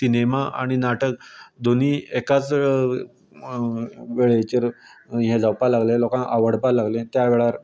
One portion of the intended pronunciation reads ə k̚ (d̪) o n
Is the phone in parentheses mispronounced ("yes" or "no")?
no